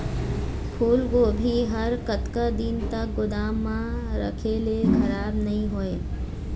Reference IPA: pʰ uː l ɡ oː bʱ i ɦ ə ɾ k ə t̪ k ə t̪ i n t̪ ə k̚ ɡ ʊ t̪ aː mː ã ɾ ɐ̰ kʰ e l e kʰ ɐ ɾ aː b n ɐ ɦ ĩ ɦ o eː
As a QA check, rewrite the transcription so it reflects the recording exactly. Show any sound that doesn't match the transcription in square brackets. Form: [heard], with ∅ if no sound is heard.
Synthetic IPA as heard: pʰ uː l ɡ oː bʱ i ɦ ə ɾ k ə t̪ k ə [d̪] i n t̪ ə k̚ ɡ ʊ [d̪] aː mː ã ɾ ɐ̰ kʰ e l e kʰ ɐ ɾ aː b n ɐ ɦ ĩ ɦ o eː